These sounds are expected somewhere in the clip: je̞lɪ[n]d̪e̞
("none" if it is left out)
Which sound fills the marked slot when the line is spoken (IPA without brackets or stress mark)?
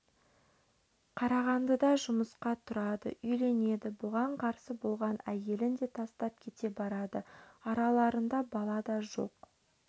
n